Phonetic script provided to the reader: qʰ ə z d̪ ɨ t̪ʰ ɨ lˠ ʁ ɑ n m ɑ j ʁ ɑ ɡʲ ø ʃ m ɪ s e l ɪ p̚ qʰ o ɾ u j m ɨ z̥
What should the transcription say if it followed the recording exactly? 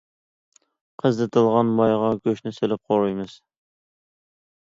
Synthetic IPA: qʰ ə z d̪ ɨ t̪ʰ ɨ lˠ ʁ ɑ n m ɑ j ʁ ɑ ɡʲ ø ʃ n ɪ s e l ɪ p̚ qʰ o ɾ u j m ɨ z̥